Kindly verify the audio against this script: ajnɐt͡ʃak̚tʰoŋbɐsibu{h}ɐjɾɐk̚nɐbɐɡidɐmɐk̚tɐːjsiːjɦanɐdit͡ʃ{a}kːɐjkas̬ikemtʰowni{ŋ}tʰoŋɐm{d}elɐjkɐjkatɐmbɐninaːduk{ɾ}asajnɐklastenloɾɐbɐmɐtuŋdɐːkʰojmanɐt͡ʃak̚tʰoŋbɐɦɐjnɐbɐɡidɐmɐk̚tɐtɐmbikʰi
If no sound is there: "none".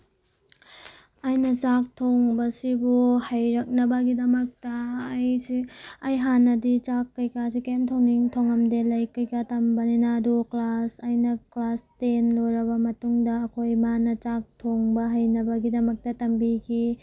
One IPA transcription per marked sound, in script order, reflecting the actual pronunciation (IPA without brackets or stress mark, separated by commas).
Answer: h, a, ŋ, d, l